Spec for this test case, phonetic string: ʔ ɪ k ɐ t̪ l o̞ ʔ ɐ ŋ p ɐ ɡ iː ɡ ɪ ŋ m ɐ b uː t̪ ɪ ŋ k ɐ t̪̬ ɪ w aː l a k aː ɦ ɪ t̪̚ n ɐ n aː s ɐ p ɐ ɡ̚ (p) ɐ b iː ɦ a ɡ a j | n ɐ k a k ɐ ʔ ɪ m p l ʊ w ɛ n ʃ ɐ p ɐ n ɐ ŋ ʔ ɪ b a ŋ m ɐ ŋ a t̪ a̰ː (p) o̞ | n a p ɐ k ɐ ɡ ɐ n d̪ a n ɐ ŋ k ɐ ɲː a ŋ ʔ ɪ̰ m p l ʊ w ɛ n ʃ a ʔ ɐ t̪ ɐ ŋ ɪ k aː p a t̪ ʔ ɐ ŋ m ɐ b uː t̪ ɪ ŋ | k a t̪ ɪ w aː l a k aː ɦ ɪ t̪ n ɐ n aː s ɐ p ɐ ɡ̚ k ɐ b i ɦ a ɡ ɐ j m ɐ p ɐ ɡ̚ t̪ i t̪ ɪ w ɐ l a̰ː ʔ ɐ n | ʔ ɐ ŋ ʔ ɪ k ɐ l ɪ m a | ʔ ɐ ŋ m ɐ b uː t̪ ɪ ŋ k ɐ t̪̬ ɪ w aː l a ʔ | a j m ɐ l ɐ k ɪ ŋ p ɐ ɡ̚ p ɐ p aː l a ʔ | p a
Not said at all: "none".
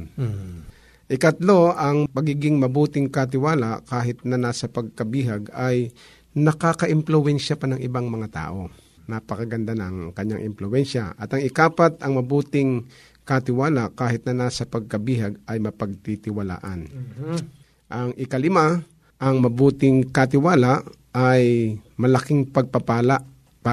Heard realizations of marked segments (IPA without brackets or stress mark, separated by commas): k, ʔ